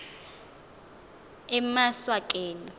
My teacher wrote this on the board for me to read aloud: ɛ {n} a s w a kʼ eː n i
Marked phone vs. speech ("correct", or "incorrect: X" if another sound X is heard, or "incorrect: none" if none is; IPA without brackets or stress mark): incorrect: m